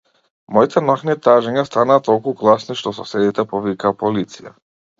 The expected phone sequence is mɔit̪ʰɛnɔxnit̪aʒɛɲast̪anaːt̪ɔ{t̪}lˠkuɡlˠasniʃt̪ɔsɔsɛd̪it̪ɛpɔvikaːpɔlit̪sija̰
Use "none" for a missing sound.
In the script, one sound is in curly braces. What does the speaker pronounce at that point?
none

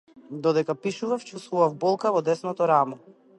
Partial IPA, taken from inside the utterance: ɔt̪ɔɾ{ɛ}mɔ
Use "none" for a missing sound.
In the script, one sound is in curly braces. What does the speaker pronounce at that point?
a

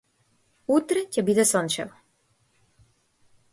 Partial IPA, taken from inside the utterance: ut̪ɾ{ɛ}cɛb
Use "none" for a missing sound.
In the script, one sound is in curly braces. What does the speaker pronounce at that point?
ɛ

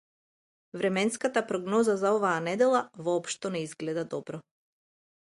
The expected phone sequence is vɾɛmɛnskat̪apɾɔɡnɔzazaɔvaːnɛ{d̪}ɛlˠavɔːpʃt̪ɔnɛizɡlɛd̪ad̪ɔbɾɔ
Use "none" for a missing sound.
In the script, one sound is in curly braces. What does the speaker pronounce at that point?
d̪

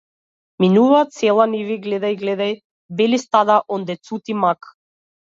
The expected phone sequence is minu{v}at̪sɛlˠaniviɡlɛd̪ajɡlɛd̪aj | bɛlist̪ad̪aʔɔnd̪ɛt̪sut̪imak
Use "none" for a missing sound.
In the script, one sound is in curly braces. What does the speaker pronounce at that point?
v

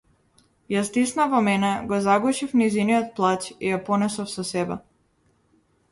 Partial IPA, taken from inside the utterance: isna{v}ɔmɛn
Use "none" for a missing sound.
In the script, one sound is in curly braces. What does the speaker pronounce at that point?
v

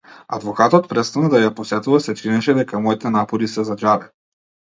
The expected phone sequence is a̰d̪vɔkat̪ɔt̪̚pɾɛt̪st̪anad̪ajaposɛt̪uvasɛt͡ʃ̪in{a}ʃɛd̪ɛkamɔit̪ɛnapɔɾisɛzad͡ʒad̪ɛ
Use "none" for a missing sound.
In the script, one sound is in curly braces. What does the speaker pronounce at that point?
ɛ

